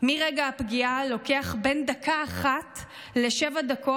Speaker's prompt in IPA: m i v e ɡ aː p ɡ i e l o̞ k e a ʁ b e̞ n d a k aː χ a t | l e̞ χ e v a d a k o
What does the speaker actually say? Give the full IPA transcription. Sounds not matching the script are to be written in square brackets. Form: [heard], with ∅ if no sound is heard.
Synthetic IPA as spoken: m i [ʁ] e ɡ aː p ɡ i [a] l o̞ k e a [χ] b e̞ n d a k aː χ a t | l e̞ [ʃ] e v a d a k o